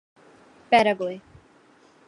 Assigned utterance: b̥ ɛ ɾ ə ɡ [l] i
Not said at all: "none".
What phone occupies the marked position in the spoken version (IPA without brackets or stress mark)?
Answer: l